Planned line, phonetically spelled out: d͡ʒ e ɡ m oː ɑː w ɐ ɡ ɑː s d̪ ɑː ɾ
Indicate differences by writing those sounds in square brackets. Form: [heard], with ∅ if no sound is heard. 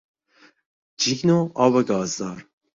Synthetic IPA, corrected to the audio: d͡ʒ [i] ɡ [n] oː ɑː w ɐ ɡ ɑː [z] d̪ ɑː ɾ